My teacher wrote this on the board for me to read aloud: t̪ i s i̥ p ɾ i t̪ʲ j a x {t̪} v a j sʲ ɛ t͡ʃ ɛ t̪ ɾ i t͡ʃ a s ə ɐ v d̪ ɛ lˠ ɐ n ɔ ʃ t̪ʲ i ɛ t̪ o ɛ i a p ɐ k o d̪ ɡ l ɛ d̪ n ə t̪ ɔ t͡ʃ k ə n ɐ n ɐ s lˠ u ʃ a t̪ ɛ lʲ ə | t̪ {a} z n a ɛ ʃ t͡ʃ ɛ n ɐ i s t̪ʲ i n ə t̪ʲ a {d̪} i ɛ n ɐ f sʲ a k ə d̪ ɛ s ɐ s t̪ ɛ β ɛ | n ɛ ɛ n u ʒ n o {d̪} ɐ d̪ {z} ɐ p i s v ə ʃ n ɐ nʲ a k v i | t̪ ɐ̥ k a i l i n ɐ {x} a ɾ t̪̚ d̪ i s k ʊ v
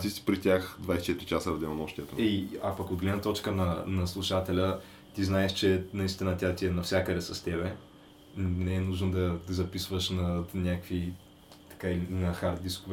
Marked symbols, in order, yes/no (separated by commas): no, no, no, yes, yes, yes